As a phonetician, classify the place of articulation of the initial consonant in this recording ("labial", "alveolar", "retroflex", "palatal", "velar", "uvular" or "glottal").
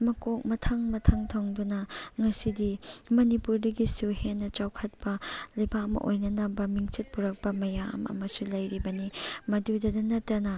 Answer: labial